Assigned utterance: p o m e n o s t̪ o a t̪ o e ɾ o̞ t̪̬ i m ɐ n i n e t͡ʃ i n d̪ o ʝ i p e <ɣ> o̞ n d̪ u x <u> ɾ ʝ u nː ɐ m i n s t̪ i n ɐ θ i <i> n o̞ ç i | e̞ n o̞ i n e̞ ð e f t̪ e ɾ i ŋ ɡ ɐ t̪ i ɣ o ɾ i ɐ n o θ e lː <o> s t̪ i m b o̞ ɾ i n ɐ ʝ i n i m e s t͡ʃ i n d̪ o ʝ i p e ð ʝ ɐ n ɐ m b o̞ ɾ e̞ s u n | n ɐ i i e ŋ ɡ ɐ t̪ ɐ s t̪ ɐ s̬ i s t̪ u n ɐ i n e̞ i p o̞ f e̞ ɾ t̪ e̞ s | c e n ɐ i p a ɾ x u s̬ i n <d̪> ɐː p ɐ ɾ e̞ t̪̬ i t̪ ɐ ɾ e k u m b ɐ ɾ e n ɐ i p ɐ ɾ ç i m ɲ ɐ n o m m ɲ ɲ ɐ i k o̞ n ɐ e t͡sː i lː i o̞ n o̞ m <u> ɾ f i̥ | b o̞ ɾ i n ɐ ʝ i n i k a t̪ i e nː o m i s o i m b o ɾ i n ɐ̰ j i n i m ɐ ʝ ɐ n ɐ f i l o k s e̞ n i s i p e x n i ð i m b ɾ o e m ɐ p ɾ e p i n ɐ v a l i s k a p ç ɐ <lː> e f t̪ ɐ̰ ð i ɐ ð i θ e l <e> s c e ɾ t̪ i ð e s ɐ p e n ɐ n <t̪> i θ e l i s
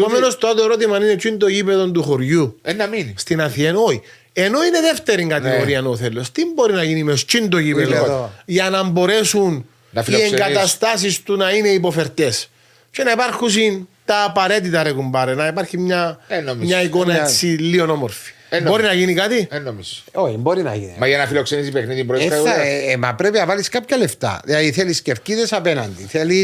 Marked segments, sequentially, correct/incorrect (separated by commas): incorrect, incorrect, incorrect, correct, incorrect, incorrect, incorrect, incorrect, incorrect